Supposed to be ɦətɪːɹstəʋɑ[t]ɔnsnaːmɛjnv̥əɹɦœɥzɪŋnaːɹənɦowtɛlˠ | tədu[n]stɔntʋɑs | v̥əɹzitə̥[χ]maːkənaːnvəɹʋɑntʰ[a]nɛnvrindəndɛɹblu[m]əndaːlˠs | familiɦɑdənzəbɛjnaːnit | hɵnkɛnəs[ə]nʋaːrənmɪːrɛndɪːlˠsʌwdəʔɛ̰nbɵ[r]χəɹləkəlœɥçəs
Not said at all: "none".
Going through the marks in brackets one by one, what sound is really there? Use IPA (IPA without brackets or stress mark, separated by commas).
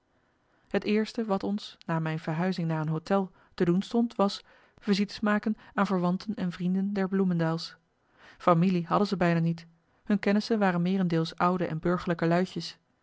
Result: t, n, s, ə, m, ə, ɹ